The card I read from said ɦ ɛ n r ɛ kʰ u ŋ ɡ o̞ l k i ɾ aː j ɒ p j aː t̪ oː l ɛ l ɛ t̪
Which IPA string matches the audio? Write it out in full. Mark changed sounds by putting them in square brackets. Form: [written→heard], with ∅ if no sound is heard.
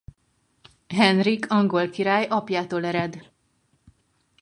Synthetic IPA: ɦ ɛ n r [ɛ→i] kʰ [u→ɒ] ŋ ɡ o̞ l k i ɾ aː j ɒ p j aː t̪ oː l ɛ [l→ɾ] ɛ [t̪→d̪]